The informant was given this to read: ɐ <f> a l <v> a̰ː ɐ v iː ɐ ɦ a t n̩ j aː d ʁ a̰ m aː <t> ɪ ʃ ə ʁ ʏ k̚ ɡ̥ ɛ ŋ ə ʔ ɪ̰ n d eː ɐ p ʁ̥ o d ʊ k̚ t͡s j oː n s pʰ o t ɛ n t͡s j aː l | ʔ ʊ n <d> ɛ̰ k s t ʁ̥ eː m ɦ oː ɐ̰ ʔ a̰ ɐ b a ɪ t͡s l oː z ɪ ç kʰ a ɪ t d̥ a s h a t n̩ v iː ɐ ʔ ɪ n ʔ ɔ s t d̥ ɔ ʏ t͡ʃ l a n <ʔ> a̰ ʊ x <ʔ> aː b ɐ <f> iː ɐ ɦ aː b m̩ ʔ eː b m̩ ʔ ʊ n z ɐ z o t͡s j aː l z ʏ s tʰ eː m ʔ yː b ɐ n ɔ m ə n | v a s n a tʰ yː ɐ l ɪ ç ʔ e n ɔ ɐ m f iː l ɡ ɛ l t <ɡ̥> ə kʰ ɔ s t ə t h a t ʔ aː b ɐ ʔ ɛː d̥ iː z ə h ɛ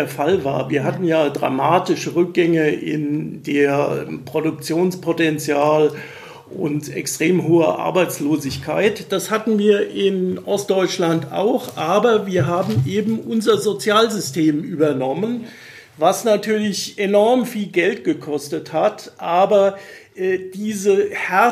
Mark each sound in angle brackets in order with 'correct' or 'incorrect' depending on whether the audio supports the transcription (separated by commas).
correct, correct, correct, incorrect, incorrect, correct, incorrect, correct